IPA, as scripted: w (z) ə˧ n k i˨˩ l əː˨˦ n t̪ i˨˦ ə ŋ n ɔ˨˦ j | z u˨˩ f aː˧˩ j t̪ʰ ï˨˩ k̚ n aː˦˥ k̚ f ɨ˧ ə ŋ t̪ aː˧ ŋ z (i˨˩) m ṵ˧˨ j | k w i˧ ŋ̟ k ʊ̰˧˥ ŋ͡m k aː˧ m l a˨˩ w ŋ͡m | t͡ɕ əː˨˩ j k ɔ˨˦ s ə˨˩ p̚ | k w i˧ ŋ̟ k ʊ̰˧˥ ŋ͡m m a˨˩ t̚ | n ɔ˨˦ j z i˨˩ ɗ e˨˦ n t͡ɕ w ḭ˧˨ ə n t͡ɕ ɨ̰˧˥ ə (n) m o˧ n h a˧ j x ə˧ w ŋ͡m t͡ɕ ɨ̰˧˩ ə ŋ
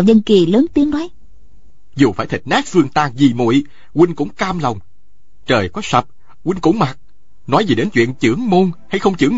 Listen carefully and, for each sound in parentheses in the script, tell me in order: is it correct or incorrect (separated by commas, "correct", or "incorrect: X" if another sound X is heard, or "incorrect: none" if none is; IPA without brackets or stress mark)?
correct, correct, incorrect: ŋ